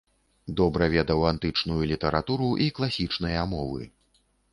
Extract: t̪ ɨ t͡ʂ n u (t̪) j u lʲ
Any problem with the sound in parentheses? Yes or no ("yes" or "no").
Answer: yes